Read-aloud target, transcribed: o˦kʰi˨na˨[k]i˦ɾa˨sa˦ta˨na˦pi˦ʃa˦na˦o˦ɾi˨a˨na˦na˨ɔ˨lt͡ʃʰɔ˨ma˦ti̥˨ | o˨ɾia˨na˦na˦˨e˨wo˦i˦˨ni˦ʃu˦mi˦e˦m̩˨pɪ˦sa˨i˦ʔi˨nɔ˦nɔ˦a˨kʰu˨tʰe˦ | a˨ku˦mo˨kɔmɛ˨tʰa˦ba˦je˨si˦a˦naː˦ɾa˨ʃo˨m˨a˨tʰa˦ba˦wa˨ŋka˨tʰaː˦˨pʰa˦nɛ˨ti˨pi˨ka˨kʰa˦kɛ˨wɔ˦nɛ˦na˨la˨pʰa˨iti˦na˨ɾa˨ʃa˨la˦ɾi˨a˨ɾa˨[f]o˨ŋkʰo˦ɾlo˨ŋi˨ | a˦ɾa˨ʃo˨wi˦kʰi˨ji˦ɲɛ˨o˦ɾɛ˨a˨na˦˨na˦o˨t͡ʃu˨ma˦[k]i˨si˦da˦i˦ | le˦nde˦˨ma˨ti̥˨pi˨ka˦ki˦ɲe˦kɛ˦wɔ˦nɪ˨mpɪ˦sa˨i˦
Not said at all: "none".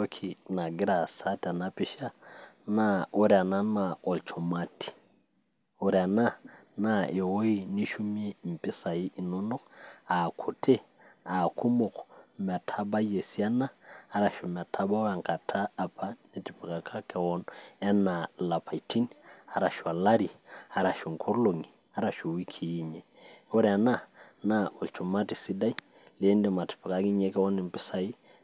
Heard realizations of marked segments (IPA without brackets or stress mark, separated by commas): ɡ, ʃ, t